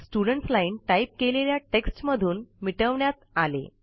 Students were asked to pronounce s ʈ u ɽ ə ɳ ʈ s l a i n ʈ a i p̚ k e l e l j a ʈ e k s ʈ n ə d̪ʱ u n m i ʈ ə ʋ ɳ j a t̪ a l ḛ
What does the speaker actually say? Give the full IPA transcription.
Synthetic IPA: s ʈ u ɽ ə ɳ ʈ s l a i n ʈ a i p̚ k e l e l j a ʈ e k s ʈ m ə d̪ʱ uː n m i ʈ ə ʋ ɳ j a t̪ a l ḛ